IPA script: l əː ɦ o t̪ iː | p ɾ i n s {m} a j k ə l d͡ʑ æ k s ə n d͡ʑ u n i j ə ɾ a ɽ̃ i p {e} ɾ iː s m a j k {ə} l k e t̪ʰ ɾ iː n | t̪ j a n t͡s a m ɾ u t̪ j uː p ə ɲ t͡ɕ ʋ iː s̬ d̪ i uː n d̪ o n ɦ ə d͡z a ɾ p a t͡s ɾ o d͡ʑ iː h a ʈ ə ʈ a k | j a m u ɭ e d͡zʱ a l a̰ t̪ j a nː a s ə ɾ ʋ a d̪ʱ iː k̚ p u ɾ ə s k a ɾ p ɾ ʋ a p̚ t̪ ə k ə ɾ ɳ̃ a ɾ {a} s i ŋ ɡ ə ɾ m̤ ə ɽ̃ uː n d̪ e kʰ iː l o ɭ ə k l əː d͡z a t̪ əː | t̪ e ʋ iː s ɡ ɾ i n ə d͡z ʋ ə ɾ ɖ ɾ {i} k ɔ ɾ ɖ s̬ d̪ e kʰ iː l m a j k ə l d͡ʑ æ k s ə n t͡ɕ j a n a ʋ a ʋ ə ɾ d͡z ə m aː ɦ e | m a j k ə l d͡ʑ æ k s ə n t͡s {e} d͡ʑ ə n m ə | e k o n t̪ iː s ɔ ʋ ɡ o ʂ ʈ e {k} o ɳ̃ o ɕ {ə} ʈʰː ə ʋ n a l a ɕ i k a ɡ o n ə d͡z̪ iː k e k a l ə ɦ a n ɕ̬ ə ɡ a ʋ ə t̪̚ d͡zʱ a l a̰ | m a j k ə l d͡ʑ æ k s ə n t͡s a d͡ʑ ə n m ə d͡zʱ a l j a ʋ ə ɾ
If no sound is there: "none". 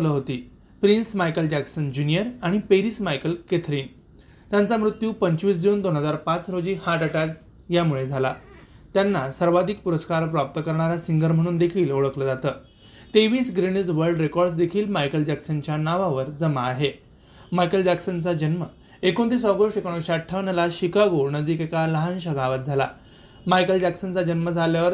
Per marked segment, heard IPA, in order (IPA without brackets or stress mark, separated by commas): m, e, ə, a, e, a, k, a